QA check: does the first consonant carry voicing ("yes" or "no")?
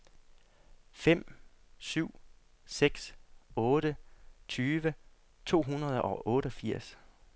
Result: no